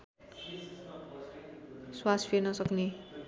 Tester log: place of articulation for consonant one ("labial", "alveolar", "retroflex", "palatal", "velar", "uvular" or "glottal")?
alveolar